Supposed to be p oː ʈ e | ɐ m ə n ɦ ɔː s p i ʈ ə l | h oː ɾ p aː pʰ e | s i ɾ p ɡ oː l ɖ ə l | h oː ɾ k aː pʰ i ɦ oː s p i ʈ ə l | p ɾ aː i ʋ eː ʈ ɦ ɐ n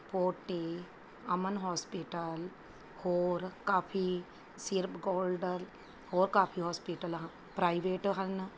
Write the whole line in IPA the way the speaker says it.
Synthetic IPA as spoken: p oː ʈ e | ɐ m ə n ɦ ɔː s p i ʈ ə l | h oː ɾ k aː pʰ i | s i ɾ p ɡ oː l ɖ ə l | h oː ɾ k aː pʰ i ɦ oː s p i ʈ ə l | p ɾ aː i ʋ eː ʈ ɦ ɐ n